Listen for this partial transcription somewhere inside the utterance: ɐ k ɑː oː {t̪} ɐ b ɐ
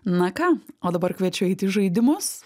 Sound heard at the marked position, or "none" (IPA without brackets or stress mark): d̪